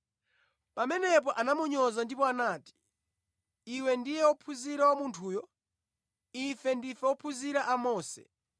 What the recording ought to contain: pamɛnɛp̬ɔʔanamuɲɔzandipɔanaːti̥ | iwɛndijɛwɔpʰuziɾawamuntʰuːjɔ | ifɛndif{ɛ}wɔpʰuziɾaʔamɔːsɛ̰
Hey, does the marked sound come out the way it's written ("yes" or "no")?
yes